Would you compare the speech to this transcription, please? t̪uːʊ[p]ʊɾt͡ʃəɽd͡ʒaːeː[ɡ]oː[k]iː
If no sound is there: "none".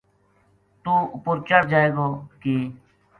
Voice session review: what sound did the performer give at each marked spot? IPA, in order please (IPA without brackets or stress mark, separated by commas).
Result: p, ɡ, k